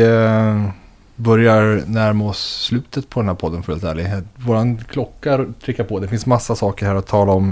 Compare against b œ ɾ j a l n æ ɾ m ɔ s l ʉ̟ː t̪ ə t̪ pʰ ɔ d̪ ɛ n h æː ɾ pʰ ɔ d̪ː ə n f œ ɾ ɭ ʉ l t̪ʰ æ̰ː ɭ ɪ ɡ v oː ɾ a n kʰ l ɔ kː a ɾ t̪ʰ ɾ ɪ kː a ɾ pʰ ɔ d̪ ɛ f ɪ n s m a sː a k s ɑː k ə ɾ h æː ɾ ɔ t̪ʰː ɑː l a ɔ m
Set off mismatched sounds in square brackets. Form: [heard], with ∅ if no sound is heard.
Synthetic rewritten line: b œ ɾ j a [ɾ] n æ ɾ m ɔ s l ʉ̟ː t̪ ə t̪ pʰ ɔ d̪ ɛ n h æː ɾ pʰ ɔ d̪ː ə n f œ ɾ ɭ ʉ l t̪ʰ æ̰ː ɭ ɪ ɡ v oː ɾ a n kʰ l ɔ kː a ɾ t̪ʰ ɾ ɪ kː a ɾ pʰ ɔ d̪ ɛ f ɪ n s m a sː a [∅] s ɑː k ə ɾ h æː ɾ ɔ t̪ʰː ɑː l a ɔ m